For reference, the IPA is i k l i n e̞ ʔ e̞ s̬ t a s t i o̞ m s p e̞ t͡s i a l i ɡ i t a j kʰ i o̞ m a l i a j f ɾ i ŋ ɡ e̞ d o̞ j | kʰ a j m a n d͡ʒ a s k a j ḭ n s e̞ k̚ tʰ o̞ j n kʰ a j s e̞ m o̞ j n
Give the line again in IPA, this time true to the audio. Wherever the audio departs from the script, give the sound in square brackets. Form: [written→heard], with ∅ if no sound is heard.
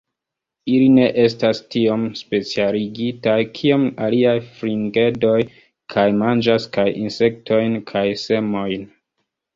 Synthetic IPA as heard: i [k→∅] l i n e̞ ʔ e̞ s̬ t a s t i o̞ m s p e̞ t͡s i a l i ɡ i t a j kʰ i o̞ m a l i a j f ɾ i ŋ ɡ e̞ d o̞ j | kʰ a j m a n d͡ʒ a s k a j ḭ n s e̞ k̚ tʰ o̞ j n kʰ a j s e̞ m o̞ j n